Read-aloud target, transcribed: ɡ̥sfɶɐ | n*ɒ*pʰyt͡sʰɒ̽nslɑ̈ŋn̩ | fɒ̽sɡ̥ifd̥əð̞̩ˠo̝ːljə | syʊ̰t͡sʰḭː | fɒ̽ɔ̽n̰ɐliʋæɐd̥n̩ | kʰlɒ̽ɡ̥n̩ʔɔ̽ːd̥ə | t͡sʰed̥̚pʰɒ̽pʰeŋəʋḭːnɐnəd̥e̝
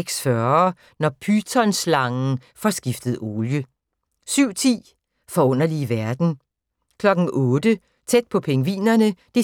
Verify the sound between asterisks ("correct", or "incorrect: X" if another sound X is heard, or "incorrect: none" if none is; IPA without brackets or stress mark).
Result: correct